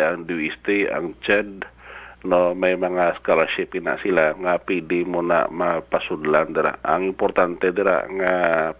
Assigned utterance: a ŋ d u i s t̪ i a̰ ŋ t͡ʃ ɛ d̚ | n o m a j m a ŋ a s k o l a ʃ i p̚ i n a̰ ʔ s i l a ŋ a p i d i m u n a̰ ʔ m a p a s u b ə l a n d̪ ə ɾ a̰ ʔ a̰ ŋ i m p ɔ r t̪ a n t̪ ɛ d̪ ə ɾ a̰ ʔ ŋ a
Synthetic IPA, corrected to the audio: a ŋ d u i s t̪ i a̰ ŋ t͡ʃ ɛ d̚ | n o m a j m a ŋ a s k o l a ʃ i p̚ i n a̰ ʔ s i l a ŋ a p i d i m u n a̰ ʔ m a p a s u d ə l a n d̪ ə ɾ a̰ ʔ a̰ ŋ i m p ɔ r t̪ a n t̪ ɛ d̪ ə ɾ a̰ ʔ ŋ a